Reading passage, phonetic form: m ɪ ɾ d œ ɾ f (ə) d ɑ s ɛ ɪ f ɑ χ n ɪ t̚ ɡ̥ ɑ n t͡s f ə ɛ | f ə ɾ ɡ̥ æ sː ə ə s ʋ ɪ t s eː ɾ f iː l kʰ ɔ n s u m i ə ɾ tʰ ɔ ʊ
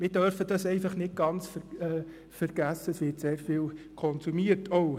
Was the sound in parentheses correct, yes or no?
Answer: yes